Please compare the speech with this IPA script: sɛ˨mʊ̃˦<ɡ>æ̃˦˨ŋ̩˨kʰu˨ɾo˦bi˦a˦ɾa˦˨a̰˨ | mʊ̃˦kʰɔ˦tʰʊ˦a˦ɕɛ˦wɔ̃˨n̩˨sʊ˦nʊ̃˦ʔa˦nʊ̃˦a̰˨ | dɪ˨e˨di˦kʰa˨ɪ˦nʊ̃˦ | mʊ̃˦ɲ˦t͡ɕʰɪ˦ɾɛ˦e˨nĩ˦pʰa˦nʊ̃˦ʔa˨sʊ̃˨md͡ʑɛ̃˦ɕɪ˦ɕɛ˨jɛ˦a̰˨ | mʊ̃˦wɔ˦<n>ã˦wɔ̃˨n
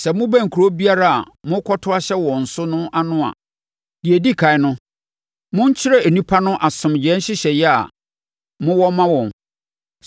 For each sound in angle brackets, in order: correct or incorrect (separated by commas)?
incorrect, incorrect